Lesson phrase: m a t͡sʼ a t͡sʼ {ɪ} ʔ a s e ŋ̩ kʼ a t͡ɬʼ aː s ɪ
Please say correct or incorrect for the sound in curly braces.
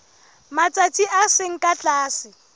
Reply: incorrect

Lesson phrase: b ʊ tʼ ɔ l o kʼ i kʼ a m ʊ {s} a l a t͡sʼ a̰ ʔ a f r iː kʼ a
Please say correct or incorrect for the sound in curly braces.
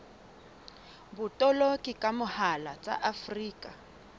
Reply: incorrect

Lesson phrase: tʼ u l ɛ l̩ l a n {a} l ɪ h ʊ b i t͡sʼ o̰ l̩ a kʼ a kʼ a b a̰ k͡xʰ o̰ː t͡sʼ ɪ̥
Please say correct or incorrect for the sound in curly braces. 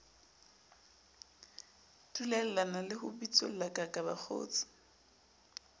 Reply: correct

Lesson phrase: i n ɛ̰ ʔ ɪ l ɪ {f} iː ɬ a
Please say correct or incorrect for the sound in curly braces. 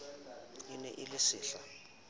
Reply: incorrect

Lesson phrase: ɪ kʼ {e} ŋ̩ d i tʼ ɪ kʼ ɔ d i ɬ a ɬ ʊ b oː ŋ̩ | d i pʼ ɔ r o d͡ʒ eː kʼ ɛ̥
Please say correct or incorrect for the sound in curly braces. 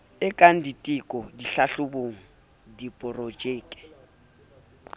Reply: incorrect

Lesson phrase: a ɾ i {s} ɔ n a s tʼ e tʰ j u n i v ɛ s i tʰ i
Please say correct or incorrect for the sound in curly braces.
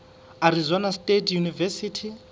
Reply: incorrect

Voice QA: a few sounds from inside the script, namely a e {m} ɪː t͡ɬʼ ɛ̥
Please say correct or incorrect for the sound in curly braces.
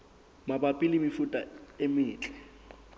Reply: correct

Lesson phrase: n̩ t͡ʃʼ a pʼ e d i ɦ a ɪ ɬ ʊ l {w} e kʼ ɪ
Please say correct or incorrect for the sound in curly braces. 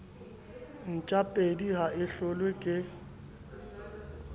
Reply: correct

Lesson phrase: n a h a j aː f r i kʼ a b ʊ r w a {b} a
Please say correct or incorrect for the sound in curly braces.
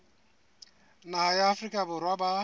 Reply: correct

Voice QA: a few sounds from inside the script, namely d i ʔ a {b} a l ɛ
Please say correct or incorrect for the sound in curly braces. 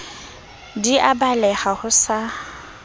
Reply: correct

